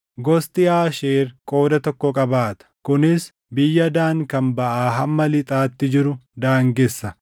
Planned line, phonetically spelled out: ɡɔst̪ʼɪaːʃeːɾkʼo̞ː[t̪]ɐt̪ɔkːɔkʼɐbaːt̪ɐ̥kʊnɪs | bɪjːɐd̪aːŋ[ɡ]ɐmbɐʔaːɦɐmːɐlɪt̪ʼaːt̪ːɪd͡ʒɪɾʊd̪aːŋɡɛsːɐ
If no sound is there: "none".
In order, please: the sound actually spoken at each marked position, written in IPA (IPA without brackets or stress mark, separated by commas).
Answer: d̪, k